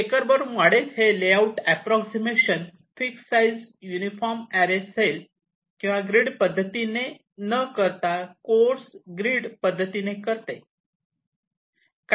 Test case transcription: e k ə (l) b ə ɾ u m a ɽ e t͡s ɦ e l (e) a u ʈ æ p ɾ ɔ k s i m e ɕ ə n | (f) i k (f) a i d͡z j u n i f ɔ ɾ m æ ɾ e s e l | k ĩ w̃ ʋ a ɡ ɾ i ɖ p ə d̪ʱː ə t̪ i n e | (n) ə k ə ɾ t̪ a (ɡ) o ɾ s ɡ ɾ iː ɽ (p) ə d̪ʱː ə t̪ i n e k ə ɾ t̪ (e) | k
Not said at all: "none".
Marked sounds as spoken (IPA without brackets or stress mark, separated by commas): ɾ, e, f, s, n, k, p, e